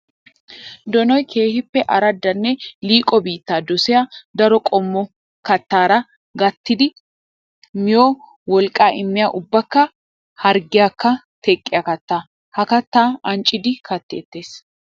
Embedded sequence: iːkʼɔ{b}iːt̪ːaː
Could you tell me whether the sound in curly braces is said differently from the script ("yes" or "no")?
no